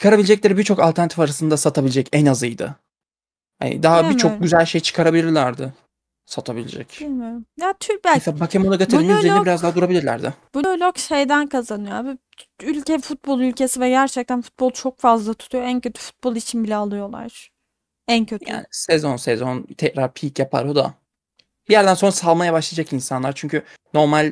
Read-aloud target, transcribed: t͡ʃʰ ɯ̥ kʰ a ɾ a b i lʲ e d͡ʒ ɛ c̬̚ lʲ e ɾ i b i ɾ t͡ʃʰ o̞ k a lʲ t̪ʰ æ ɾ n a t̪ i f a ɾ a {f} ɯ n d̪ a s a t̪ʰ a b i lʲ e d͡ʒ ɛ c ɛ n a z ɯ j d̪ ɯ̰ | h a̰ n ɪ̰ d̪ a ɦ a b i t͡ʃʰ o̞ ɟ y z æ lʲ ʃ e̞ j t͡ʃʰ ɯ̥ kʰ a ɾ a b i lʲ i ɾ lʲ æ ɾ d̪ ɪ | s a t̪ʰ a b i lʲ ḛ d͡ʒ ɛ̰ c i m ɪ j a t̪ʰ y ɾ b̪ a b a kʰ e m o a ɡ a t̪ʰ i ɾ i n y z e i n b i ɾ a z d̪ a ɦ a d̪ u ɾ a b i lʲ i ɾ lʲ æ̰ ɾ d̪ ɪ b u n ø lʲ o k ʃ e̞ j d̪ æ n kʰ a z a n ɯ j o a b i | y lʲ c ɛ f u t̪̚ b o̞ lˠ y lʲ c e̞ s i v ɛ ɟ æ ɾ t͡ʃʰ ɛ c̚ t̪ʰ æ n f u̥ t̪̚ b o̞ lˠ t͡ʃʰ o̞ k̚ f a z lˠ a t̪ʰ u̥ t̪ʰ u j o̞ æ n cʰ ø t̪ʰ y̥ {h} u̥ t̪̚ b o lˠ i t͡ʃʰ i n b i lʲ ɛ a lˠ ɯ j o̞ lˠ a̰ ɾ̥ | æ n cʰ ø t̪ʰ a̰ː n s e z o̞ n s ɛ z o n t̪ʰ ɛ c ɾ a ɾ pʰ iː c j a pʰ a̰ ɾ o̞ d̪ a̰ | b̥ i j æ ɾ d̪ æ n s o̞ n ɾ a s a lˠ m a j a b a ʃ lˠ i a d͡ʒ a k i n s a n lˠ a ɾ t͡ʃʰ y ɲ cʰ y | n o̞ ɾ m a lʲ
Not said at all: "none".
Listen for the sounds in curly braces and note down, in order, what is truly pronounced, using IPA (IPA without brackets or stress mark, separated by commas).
s, f